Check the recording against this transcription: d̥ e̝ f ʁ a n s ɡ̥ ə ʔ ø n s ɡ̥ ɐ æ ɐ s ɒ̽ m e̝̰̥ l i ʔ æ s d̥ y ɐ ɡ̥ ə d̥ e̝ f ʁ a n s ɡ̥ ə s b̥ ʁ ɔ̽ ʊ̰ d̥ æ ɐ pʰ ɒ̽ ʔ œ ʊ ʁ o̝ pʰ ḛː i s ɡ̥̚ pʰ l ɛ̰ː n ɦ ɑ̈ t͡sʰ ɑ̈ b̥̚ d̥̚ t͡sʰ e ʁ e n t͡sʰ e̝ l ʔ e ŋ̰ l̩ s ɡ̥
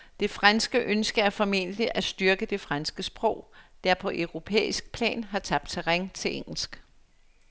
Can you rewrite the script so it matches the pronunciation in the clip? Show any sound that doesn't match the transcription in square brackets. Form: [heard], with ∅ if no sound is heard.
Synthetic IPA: d̥ e̝ f ʁ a n s ɡ̥ ə ʔ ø n s ɡ̥ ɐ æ ɐ [f] ɒ̽ m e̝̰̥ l i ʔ æ s d̥ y ɐ ɡ̥ ə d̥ e̝ f ʁ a n s ɡ̥ ə s b̥ ʁ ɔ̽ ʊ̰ d̥ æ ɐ pʰ ɒ̽ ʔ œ ʊ ʁ o̝ pʰ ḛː i s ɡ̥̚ pʰ l ɛ̰ː n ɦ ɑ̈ t͡sʰ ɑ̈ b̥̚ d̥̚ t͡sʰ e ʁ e [ŋ] t͡sʰ e̝ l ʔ e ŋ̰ l̩ s ɡ̥

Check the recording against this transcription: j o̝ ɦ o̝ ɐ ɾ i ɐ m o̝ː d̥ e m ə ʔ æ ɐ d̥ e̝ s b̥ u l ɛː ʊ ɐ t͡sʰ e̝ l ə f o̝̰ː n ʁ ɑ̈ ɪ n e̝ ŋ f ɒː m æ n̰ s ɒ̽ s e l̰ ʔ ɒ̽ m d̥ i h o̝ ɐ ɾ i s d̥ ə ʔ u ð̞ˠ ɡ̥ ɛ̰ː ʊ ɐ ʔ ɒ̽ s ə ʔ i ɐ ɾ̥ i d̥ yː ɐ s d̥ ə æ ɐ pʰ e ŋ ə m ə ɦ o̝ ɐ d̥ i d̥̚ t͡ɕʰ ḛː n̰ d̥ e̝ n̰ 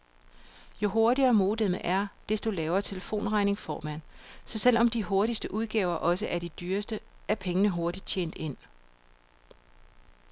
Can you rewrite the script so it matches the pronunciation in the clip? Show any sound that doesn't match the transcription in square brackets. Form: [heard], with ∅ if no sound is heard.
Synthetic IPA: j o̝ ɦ o̝ ɐ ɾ i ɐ m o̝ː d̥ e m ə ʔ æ ɐ d̥ e̝ s [d̥] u l ɛː ʊ ɐ t͡sʰ e̝ l ə f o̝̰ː n ʁ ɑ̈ ɪ n e̝ ŋ f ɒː m æ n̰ s ɒ̽ s e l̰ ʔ ɒ̽ m d̥ i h o̝ ɐ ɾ i s d̥ ə ʔ u ð̞ˠ ɡ̥ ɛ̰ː ʊ ɐ ʔ ɒ̽ s ə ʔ [æ] ɐ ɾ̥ i d̥ yː ɐ s d̥ ə æ ɐ pʰ e ŋ ə [n] ə ɦ o̝ ɐ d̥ i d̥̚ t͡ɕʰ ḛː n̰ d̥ e̝ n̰

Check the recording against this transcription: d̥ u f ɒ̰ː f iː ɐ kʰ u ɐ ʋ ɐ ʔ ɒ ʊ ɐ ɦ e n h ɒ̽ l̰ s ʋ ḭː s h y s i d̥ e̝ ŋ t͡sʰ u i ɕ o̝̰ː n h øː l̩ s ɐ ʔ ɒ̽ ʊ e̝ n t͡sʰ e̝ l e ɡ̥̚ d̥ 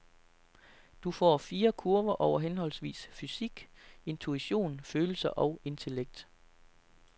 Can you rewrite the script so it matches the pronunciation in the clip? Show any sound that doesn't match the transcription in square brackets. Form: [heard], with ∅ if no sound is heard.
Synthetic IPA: d̥ u f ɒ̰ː f iː ɐ kʰ u ɐ ʋ ɐ ʔ ɒ ʊ ɐ ɦ e n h ɒ̽ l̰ s ʋ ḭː s [f] y s i [ɡ̥] e̝ [n] t͡sʰ u i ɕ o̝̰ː n [f] øː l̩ s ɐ ʔ ɒ̽ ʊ e̝ n t͡sʰ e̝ l e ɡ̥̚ d̥

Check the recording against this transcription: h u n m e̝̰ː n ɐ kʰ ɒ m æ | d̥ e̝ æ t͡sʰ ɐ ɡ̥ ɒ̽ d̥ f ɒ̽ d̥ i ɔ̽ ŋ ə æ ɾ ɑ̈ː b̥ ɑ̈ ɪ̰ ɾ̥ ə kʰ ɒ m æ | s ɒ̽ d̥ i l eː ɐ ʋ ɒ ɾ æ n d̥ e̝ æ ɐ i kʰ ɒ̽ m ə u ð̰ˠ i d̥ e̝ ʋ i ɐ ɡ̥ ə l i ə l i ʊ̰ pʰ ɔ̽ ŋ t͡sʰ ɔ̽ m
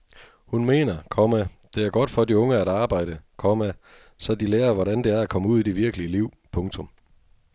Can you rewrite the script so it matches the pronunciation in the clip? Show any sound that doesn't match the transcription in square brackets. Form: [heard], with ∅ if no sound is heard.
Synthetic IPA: h u n m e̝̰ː n ɐ kʰ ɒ m æ | d̥ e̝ æ [∅] ɐ ɡ̥ ɒ̽ d̥ f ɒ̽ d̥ i ɔ̽ ŋ ə æ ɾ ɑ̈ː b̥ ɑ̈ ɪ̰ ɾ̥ ə kʰ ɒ m æ | s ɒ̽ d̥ i l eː ɐ ʋ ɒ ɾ æ n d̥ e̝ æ ɐ [æ] kʰ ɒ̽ m ə u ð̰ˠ i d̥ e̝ ʋ i ɐ ɡ̥ ə l i ə l i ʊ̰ pʰ ɔ̽ ŋ t͡sʰ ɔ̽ m

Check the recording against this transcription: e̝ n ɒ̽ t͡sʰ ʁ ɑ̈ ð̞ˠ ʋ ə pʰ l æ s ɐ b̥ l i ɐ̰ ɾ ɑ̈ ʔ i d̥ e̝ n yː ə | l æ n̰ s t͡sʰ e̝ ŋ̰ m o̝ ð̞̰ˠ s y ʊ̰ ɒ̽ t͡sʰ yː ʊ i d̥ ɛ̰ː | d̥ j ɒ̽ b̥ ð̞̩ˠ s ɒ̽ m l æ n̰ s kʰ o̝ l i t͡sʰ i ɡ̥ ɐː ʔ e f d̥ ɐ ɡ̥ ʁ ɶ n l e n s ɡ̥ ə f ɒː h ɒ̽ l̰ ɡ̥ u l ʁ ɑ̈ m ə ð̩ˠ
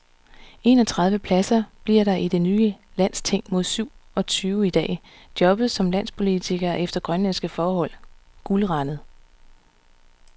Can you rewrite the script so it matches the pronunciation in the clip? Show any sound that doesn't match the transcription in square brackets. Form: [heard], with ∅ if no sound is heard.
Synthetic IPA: e̝ n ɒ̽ t͡sʰ ʁ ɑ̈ ð̞ˠ ʋ ə pʰ l æ s ɐ b̥ l i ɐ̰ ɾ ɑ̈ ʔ i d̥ e̝ n yː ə | l æ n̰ s t͡sʰ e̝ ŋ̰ m o̝ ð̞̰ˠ s y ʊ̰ ɒ̽ t͡sʰ yː ʊ i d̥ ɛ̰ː | d̥ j ɒ̽ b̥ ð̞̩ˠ s ɒ̽ m l æ n̰ s [pʰ] o̝ l i t͡sʰ i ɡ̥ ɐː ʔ e f d̥ ɐ ɡ̥ ʁ ɶ n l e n s ɡ̥ ə f ɒː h ɒ̽ l̰ ɡ̥ u l ʁ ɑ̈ [n] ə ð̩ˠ

